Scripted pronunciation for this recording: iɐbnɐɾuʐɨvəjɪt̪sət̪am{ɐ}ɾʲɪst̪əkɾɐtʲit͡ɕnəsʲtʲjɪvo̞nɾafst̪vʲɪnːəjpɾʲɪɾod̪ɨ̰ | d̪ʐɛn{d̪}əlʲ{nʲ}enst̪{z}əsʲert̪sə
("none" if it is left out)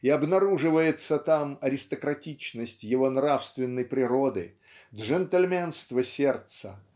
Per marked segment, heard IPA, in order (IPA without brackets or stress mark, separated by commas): ɐ, t̪, mʲ, v